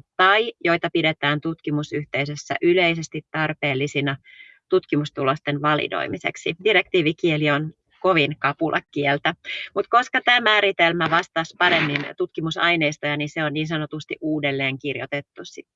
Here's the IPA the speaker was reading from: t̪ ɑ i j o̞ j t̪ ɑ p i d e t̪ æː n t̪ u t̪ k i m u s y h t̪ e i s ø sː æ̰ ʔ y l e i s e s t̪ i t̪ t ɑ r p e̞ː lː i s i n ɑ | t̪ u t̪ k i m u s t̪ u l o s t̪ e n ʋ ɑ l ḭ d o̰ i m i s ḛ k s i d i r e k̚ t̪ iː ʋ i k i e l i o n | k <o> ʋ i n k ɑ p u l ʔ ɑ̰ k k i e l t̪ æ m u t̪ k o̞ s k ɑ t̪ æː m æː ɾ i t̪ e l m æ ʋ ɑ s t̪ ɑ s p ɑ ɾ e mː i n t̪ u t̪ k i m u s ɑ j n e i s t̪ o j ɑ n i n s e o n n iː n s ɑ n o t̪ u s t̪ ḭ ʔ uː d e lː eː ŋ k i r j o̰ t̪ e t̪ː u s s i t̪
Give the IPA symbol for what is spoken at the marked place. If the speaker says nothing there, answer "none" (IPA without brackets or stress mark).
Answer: o